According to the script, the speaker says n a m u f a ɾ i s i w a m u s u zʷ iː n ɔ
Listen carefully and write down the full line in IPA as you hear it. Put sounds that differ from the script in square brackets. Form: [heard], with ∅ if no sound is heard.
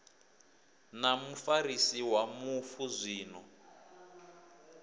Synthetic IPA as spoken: n a m u f a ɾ i s i w a m u [f] u zʷ iː n ɔ